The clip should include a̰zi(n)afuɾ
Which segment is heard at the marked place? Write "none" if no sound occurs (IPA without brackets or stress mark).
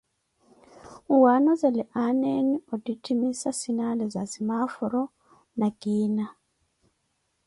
m